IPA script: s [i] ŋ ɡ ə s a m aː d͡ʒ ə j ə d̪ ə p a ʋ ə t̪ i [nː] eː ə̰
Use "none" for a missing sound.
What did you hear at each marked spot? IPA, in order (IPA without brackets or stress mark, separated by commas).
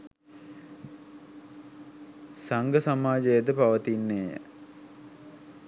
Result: a, nː